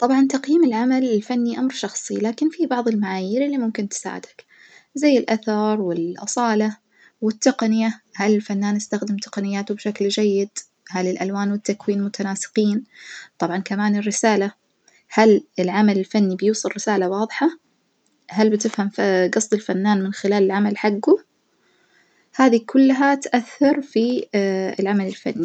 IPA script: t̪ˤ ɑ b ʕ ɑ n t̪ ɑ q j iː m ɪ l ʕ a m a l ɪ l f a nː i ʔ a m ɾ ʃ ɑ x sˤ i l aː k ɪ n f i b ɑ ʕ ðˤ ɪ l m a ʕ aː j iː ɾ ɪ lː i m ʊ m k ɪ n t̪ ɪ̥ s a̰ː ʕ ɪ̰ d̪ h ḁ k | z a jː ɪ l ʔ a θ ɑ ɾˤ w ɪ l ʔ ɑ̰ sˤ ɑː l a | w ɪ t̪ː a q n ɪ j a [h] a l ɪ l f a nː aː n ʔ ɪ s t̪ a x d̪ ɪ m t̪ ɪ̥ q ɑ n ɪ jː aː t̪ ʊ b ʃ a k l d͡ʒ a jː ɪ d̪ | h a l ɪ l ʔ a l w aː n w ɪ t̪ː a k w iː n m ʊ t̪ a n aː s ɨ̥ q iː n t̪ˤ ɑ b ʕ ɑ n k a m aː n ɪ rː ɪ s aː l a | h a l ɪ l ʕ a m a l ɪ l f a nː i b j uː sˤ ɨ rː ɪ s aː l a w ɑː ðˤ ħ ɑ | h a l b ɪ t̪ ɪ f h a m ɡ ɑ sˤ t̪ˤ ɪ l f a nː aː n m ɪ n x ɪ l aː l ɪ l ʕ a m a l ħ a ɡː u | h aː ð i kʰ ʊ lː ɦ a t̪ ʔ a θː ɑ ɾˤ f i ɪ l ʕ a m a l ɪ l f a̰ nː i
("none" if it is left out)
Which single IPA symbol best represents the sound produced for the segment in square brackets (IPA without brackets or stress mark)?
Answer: h